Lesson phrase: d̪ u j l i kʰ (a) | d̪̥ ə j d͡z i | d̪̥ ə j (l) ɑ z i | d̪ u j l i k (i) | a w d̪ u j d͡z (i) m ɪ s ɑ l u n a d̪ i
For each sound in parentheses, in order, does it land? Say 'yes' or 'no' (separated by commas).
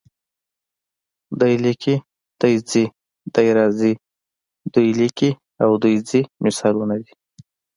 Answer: no, no, yes, yes